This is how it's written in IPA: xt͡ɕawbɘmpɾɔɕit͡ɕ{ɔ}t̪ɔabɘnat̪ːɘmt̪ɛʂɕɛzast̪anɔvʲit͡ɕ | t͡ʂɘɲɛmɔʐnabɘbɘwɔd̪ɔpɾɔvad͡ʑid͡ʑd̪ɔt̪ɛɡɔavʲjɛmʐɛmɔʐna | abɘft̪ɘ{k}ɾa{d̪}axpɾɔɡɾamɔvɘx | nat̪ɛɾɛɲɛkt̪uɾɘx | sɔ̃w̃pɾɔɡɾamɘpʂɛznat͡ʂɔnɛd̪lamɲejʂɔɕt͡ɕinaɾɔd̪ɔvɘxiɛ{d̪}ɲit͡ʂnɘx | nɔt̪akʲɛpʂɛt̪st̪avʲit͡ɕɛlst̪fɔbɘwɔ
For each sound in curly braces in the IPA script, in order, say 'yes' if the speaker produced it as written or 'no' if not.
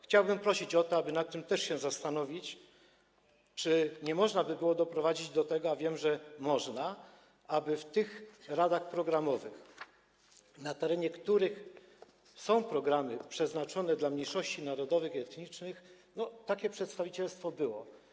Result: yes, no, yes, no

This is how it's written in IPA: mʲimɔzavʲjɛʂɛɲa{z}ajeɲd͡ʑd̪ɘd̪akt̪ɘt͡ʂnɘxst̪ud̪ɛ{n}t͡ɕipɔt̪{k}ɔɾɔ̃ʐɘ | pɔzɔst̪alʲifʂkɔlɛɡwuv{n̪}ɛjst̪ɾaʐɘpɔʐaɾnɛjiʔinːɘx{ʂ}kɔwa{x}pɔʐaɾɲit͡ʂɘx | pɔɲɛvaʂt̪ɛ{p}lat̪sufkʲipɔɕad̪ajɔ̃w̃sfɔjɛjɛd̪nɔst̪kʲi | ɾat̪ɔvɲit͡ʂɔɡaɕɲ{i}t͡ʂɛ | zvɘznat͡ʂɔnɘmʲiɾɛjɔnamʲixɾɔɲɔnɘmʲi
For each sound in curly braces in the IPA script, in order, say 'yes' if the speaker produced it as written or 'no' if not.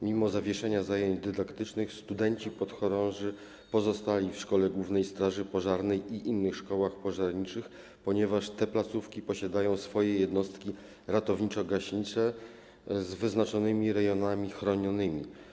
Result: yes, no, no, yes, yes, yes, yes, yes

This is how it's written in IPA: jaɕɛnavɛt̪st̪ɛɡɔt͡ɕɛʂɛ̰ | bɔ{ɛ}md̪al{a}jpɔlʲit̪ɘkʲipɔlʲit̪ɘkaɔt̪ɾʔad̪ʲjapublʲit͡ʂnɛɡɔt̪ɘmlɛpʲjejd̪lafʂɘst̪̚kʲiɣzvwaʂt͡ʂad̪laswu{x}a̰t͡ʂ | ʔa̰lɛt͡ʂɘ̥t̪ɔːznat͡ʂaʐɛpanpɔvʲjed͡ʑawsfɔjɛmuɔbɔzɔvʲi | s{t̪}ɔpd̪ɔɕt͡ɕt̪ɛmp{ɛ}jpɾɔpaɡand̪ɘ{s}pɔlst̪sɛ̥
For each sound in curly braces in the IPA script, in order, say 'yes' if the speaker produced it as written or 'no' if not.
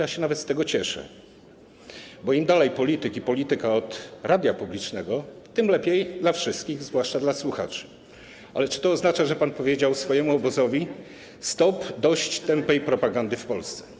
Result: no, no, yes, yes, yes, no

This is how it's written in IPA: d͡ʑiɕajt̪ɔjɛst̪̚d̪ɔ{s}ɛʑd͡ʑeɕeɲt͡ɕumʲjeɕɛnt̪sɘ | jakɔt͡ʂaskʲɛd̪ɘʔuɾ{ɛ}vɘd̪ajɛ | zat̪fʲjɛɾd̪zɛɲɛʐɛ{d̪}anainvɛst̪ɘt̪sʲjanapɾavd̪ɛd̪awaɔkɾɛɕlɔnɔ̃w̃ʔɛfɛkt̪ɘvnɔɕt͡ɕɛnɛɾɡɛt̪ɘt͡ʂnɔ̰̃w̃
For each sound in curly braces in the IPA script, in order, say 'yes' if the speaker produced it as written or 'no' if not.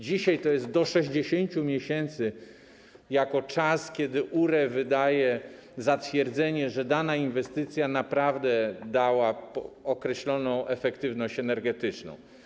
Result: no, yes, yes

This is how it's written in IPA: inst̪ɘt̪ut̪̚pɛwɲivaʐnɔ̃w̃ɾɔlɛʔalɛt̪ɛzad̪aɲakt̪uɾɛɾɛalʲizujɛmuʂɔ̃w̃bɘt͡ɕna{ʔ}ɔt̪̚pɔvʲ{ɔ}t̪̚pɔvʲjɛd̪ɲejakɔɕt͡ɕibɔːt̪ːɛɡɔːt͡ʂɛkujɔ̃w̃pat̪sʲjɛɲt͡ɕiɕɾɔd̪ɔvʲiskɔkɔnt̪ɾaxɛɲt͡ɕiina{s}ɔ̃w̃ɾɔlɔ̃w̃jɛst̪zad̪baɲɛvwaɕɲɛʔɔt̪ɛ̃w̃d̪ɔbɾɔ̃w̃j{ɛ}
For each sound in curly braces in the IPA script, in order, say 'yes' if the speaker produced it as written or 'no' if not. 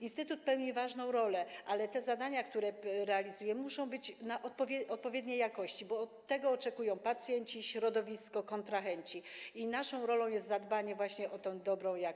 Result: yes, yes, no, no

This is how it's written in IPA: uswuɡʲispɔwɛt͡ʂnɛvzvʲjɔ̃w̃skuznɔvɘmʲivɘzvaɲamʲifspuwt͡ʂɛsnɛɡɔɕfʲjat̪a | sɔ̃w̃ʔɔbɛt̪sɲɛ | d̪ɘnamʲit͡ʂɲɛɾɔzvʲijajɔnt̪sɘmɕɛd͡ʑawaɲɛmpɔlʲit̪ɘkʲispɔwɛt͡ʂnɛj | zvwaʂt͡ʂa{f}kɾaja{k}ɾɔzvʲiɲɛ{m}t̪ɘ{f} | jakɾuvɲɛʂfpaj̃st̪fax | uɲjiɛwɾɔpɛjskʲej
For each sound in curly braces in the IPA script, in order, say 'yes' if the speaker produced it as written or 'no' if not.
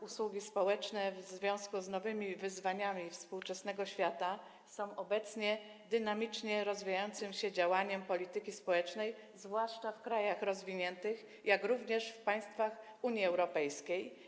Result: yes, no, no, no

